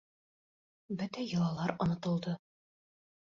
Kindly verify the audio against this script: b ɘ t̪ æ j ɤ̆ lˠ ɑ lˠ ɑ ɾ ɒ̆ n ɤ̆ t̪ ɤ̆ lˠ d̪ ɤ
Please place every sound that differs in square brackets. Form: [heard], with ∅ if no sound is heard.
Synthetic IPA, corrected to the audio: b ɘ t̪ æ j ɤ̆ lˠ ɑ lˠ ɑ ɾ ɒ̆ n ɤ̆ t̪ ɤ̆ lˠ d̪ ɤ